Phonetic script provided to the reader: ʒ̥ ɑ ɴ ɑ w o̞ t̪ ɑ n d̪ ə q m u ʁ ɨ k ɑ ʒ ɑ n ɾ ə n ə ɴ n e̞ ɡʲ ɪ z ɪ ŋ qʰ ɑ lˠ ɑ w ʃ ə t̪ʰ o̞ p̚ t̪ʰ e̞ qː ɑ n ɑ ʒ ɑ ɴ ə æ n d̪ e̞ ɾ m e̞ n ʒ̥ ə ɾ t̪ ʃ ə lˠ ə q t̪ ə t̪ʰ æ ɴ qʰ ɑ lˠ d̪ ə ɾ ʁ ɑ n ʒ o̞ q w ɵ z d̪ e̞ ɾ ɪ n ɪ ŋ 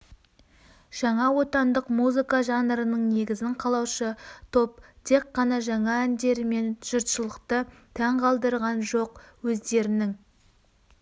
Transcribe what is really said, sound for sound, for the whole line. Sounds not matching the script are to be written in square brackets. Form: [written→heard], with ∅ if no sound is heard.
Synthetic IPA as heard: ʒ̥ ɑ ɴ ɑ w o̞ t̪ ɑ n d̪ ə q m u [ʁ→z] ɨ k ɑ ʒ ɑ n ɾ ə n ə ɴ n e̞ ɡʲ ɪ z ɪ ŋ qʰ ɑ lˠ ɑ w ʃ ə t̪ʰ o̞ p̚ t̪ʰ e̞ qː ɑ n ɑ ʒ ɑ ɴ [ə→ɑ] æ n d̪ e̞ ɾ m e̞ n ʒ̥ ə ɾ t̪ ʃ ə lˠ ə q t̪ ə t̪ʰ æ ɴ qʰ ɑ lˠ d̪ ə ɾ ʁ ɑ n ʒ o̞ q w ɵ z d̪ e̞ ɾ ɪ n ɪ ŋ